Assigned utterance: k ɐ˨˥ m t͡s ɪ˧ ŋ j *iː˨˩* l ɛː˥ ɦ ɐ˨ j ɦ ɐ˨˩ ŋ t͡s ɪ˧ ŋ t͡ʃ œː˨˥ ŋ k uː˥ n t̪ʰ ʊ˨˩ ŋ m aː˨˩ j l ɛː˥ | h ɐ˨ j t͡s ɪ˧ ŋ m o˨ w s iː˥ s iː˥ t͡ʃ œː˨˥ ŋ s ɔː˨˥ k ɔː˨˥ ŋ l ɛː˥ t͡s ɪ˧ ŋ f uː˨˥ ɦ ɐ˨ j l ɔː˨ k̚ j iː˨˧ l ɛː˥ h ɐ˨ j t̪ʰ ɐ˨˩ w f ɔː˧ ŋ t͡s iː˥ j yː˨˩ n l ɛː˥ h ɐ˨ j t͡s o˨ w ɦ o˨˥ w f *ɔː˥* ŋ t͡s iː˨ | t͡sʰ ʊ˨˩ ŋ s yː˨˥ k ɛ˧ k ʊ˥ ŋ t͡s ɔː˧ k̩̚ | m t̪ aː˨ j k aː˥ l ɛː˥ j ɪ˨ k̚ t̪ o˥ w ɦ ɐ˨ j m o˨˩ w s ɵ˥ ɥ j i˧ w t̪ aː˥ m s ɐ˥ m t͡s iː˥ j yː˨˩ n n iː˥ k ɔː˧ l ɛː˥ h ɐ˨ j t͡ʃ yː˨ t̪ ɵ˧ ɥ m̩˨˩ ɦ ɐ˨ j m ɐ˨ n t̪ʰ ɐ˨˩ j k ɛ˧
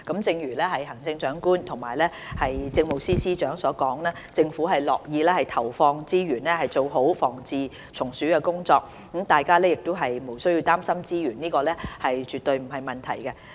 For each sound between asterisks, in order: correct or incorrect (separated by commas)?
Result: incorrect, incorrect